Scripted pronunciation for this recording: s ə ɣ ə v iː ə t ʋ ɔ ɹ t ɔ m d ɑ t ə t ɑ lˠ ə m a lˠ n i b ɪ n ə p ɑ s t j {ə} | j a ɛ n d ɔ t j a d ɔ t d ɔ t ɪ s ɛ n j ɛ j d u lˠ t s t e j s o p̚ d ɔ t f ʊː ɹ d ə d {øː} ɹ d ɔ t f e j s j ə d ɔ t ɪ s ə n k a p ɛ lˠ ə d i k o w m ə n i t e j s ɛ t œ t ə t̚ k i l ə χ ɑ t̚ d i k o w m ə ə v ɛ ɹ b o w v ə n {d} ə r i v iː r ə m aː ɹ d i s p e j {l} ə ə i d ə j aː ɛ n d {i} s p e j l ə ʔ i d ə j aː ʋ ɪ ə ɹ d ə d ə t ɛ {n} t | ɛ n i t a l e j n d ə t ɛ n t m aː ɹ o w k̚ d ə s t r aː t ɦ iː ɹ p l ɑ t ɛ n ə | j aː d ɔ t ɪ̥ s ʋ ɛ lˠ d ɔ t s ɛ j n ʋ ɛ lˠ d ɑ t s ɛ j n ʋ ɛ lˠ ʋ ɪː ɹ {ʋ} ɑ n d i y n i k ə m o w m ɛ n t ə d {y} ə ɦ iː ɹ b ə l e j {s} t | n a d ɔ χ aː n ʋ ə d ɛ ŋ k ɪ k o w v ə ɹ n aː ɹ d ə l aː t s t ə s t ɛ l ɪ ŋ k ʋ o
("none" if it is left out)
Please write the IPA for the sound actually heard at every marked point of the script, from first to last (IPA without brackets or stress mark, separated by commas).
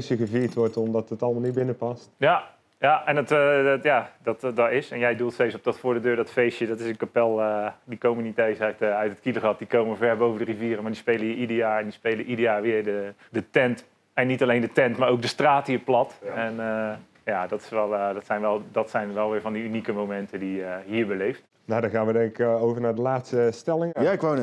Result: a, øː, d, l, i, n, v, i, f